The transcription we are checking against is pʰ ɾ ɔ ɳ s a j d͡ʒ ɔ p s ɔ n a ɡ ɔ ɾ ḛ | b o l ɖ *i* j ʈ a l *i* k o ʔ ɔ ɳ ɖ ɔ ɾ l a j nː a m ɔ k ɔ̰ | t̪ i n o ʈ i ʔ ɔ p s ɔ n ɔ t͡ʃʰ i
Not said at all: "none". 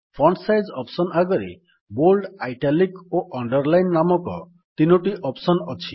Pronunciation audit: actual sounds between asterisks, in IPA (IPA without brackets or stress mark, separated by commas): a, i